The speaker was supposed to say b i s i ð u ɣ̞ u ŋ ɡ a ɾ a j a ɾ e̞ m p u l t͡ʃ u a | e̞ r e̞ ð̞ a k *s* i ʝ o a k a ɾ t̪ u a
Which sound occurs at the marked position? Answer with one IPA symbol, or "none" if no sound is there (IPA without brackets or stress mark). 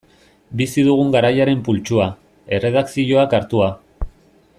s